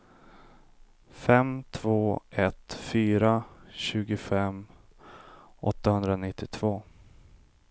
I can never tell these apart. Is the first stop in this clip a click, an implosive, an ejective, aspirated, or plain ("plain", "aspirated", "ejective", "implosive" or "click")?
aspirated